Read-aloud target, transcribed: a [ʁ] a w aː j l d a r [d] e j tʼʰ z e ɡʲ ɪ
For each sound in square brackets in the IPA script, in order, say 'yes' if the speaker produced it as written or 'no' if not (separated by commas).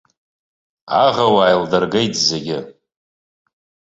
yes, no